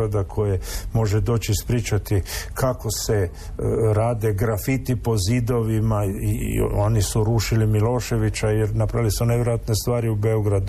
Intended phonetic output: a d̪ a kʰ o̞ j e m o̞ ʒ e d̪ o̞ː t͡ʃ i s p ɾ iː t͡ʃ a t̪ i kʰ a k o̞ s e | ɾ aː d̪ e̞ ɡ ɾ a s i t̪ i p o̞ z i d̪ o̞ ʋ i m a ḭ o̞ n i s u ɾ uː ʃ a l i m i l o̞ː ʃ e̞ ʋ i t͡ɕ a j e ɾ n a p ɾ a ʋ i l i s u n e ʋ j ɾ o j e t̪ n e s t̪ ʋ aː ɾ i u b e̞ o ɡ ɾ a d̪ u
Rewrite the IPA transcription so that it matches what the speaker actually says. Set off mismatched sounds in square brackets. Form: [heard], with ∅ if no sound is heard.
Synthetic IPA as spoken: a d̪ a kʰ o̞ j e m o̞ ʒ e d̪ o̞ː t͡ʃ i s p ɾ iː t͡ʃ a t̪ i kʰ a k o̞ s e | ɾ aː d̪ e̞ ɡ ɾ a [f] i t̪ i p o̞ z i d̪ o̞ ʋ i m a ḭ o̞ n i s u ɾ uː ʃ [i] l i m i l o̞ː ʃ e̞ ʋ i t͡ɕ a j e ɾ n a p ɾ a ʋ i l i s u n e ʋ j ɾ o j [a] t̪ n e s t̪ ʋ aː ɾ i u b e̞ o ɡ ɾ a d̪ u